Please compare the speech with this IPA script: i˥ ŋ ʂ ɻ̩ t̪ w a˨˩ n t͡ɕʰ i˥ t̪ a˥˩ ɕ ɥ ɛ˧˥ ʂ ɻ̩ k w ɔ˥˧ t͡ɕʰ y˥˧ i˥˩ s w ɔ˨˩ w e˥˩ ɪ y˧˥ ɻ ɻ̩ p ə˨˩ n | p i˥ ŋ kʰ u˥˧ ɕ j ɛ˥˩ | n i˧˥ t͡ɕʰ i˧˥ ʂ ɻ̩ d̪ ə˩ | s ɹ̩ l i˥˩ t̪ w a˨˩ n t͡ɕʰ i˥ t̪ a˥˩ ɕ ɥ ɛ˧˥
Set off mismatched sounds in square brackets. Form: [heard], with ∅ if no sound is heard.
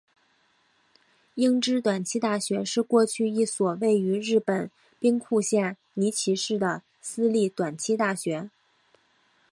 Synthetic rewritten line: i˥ ŋ [ʈ͡ʂ] ɻ̩ t̪ w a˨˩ n t͡ɕʰ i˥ t̪ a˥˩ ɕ ɥ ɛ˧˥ ʂ ɻ̩ k w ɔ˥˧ t͡ɕʰ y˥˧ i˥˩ s w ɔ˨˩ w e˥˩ ɪ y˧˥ ɻ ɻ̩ p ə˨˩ n | p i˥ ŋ kʰ u˥˧ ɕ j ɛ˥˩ | n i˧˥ t͡ɕʰ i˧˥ ʂ ɻ̩ d̪ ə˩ | s ɹ̩ l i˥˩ t̪ w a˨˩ n t͡ɕʰ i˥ t̪ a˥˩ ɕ ɥ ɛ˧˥